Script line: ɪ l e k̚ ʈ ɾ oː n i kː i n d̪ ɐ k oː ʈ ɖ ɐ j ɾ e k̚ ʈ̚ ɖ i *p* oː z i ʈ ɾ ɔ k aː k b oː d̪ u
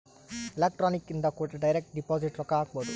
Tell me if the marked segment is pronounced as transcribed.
yes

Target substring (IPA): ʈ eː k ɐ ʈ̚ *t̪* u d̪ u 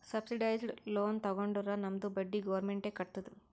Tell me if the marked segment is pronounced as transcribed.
yes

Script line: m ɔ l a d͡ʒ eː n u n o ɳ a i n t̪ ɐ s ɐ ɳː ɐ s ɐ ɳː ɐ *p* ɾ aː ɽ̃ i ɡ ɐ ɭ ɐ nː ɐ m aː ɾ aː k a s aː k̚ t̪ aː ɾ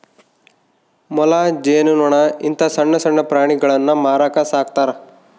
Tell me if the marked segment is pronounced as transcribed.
yes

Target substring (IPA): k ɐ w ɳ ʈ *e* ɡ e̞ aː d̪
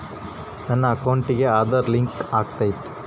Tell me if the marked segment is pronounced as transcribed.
no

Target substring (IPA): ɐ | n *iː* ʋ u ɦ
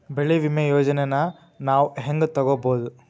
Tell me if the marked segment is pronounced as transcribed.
no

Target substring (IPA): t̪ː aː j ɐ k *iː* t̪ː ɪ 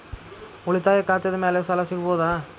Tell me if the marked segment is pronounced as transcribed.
no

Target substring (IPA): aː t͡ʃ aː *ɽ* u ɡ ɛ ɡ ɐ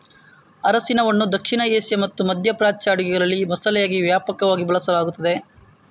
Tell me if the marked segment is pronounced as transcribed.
yes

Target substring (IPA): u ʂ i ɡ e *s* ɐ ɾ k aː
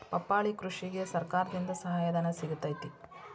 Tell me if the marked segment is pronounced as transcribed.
yes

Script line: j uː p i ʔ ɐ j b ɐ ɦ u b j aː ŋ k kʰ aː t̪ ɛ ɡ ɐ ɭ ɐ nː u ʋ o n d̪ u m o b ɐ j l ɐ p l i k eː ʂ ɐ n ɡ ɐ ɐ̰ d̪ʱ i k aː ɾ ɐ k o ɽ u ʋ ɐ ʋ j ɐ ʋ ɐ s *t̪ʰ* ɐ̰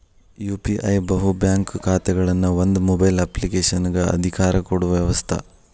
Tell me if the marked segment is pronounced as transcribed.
yes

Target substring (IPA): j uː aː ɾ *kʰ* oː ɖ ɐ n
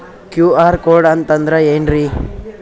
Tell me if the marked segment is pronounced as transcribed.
no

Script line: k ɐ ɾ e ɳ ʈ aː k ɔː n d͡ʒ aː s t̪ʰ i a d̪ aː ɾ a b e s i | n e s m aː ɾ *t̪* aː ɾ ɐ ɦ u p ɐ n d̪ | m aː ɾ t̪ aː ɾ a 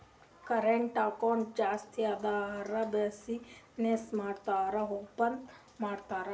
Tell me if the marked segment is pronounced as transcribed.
yes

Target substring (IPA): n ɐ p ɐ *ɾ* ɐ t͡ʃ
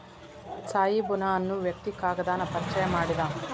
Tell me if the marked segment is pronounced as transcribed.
yes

